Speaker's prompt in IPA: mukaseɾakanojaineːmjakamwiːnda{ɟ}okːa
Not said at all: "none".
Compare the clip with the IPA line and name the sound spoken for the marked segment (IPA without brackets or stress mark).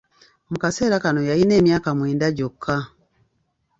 ɟ